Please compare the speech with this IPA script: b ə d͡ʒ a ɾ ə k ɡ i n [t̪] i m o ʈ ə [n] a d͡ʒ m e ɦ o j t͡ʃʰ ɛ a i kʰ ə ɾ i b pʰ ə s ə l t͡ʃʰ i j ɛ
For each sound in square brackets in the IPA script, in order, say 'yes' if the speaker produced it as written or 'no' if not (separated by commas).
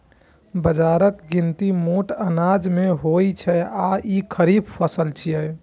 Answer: yes, yes